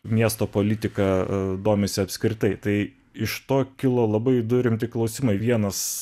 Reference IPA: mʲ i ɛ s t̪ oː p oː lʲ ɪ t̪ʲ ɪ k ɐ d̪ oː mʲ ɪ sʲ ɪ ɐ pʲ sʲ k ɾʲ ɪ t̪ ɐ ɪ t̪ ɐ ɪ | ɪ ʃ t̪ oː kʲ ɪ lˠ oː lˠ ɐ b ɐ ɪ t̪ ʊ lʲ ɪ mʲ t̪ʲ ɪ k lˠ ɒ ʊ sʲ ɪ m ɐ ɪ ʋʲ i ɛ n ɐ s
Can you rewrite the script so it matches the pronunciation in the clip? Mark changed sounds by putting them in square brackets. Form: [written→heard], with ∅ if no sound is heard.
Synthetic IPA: mʲ i ɛ s t̪ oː p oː lʲ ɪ t̪ʲ ɪ k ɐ d̪ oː mʲ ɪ sʲ ɪ ɐ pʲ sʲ k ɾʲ ɪ t̪ ɐ ɪ t̪ ɐ ɪ | ɪ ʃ t̪ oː kʲ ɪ lˠ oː lˠ ɐ b ɐ ɪ [t̪→d̪] ʊ [lʲ→ɾʲ] ɪ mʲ t̪ʲ ɪ k lˠ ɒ ʊ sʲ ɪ m ɐ ɪ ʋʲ i ɛ n ɐ s